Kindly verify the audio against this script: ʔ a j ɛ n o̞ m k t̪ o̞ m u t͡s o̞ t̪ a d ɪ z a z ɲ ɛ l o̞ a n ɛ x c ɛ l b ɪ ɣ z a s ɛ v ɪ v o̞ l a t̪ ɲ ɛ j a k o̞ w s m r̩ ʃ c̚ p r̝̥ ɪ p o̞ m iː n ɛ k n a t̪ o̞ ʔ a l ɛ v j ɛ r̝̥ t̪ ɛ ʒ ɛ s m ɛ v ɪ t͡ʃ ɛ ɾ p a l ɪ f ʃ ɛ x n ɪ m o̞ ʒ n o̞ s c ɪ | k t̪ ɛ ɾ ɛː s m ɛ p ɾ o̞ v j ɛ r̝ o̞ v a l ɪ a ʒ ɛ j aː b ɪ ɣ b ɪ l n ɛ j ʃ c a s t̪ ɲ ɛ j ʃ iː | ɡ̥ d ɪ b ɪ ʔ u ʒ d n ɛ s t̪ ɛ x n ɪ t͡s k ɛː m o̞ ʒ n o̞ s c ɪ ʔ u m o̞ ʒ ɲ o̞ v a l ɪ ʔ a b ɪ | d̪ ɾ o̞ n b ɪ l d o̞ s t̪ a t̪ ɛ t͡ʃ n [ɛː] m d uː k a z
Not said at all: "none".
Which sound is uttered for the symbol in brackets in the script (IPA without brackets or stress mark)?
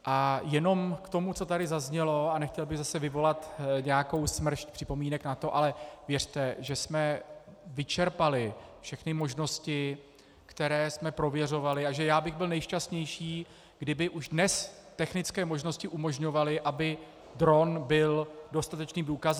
iː